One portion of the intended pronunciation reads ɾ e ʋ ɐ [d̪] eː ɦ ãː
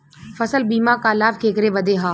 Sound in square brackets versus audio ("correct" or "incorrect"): correct